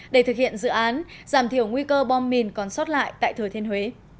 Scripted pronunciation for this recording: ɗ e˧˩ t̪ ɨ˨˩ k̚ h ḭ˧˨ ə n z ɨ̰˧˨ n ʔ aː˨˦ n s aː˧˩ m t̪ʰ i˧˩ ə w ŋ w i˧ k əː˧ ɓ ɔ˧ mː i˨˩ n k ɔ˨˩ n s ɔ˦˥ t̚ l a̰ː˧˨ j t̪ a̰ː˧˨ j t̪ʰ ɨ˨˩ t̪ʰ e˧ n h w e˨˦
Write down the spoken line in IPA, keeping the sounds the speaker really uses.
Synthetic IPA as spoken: ɗ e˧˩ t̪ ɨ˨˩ k̚ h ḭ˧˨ ə n z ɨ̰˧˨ ʔ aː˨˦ n z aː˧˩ m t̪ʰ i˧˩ ə w ŋ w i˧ k əː˧ ɓ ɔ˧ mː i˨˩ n k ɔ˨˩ n s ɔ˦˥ t̚ l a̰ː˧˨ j t̪ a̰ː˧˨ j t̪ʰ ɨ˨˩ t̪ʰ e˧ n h w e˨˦